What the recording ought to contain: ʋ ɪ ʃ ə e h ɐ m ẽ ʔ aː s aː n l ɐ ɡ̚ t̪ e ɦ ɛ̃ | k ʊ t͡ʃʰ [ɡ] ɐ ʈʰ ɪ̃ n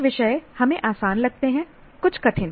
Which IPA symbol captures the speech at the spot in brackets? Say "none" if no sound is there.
k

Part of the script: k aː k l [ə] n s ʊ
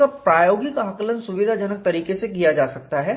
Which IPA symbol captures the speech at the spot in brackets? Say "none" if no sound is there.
ə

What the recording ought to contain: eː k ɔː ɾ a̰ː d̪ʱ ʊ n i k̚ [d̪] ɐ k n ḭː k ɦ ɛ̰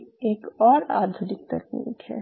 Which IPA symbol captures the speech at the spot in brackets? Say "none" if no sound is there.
t̪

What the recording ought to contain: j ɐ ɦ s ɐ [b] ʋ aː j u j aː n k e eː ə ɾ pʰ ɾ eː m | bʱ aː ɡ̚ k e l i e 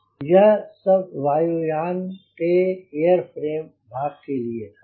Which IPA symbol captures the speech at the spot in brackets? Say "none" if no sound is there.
b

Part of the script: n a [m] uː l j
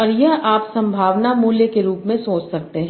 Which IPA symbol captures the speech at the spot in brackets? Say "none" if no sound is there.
m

